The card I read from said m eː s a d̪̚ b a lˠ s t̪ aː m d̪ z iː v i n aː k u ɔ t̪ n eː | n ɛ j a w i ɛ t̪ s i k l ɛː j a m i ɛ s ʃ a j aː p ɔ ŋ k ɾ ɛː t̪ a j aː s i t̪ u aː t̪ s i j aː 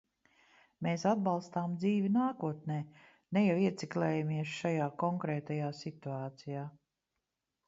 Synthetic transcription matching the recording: m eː s a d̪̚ b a lˠ s t̪ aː m d̪ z iː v i n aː k u ɔ t̪ n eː | n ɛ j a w i ɛ t̪ s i k l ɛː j a m i ɛ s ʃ a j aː k ɔ ŋ k ɾ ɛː t̪ a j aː s i t̪ u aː t̪ s i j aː